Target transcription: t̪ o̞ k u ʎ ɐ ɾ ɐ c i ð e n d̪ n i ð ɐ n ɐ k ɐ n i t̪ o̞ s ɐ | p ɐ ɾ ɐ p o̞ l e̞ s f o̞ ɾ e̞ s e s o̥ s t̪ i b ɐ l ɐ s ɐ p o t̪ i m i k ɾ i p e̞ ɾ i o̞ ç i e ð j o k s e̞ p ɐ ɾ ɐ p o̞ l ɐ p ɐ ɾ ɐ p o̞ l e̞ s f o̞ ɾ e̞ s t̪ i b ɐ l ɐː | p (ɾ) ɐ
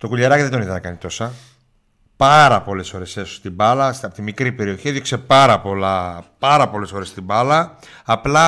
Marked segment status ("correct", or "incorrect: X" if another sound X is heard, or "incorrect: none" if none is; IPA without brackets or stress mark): incorrect: l